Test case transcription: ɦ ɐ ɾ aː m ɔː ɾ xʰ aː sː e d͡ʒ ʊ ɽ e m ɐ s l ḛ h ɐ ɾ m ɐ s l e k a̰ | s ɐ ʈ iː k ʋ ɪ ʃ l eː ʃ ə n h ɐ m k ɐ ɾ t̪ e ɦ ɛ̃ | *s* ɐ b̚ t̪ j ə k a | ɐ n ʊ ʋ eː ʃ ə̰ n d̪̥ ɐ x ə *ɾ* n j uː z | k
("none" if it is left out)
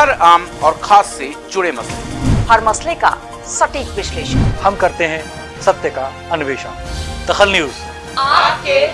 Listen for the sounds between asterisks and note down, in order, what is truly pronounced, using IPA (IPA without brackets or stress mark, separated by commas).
s, l